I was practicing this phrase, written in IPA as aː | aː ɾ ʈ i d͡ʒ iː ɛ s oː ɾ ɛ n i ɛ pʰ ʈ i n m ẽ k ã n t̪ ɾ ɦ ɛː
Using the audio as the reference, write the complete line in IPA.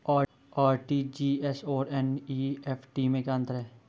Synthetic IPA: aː | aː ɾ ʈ i d͡ʒ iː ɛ s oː ɾ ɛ n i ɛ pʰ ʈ i m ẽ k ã n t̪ ɾ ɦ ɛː

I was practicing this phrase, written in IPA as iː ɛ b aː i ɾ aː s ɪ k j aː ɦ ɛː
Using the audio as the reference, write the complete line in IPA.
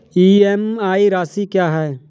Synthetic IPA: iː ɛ m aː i ɾ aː s i k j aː ɦ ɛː

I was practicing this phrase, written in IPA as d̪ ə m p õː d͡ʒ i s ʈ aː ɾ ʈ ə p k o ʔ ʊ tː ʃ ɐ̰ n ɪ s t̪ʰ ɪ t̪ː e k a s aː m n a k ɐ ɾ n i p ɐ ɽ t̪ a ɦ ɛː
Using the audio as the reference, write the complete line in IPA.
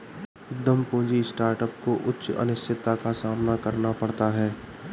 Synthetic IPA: d̪ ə m p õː d͡ʒ i s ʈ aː ɾ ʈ ə p k o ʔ ʊ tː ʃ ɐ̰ n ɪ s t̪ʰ ɪ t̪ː a k a s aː m n a k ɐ ɾ n a p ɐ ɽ t̪ a ɦ ɛː

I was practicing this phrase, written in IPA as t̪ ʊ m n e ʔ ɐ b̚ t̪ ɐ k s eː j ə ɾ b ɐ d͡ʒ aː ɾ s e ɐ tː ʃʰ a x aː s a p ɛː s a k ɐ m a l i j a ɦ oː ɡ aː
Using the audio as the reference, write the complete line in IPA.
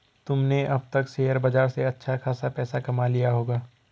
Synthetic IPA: t̪ ʊ m n e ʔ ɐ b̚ t̪ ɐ k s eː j ə ɾ b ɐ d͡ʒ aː ɾ s e ɐ tː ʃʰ a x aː s a p ɛː s a k ɐ m a l i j a ɦ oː ɡ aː

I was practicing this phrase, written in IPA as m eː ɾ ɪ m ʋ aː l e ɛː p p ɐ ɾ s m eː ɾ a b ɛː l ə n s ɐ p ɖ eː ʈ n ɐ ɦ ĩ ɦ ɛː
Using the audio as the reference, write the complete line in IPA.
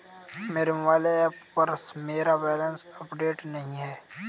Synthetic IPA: m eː ɾ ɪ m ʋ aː l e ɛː p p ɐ ɾ s m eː ɾ a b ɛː l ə n s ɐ p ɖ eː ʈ n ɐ ɦ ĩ ɦ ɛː

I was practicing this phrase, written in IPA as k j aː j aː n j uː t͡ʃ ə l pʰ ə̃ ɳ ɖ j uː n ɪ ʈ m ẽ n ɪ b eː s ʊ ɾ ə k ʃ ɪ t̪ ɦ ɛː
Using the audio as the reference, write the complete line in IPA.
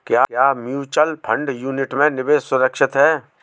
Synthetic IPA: k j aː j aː m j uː t͡ʃ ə l pʰ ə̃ ɳ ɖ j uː n ɪ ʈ m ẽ n ɪ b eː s ʊ ɾ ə k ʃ ɪ t̪ ɦ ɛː

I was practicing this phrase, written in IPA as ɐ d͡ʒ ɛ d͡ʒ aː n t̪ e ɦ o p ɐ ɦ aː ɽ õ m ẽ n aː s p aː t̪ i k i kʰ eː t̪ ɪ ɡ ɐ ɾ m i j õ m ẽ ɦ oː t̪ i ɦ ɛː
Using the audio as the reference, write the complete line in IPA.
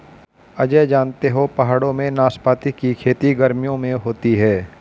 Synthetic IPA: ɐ d͡ʒ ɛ d͡ʒ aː n t̪ e ɦ o p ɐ ɦ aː ɽ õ m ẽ n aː s p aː t̪ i k i kʰ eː t̪ i ɡ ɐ ɾ m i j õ m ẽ ɦ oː t̪ i ɦ ɛː

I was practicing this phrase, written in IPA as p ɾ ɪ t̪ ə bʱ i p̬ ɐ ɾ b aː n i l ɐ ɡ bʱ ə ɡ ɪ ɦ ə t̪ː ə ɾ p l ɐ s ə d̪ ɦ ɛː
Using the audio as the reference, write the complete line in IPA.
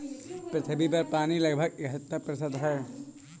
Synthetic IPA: p ɾ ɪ t̪ʰ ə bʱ i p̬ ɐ ɾ p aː n i l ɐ ɡ bʱ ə ɡ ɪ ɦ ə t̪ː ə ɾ p ɾ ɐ s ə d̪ ɦ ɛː

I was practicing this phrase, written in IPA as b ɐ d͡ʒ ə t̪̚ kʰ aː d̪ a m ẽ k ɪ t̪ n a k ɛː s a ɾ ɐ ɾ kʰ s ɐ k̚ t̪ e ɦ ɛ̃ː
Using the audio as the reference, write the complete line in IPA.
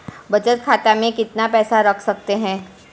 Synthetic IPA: b ɐ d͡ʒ ə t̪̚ kʰ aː t̪ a m ẽ k ɪ t̪ n a p ɛː s a ɾ ɐ kʰ s ɐ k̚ t̪ e ɦ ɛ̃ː

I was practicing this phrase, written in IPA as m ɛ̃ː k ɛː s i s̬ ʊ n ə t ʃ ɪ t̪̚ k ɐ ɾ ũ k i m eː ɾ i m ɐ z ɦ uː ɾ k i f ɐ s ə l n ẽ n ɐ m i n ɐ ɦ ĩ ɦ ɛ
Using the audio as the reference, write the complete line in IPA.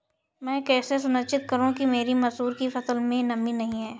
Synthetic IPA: m ɛ̃ː k ɛː s e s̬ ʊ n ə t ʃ ɪ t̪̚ k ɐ ɾ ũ k i m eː ɾ i m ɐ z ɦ uː ɾ k i f ɐ s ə l m ẽ n ɐ m i n ɐ ɦ ĩ ɦ ɛː

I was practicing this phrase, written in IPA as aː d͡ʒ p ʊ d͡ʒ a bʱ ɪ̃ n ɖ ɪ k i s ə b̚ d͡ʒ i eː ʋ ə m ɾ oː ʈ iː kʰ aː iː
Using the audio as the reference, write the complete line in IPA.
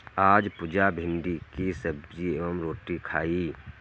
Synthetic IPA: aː d͡ʒ p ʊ d͡ʒ a bʱ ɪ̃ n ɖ i k i s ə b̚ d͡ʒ i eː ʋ ə m ɾ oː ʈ i kʰ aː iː

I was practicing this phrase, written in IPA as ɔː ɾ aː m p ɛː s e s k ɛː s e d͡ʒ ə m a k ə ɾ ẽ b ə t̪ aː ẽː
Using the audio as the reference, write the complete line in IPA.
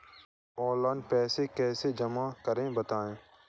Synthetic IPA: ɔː l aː n p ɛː s e k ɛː s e d͡ʒ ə m a k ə ɾ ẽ b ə t̪ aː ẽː

